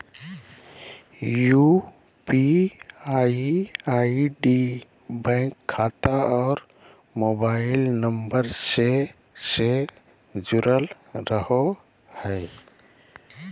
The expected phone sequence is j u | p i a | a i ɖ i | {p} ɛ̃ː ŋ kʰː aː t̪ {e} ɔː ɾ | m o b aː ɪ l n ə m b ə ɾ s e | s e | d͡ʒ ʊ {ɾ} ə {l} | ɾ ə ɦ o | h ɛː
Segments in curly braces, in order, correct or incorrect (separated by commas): incorrect, incorrect, correct, correct